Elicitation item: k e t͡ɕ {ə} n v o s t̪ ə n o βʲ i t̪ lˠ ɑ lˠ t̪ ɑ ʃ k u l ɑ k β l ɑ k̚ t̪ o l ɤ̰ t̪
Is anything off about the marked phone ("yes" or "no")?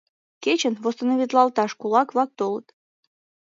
no